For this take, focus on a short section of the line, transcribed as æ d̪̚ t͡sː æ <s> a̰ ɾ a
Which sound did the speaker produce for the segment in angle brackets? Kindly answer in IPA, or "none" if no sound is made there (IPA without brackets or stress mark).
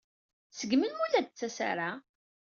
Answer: s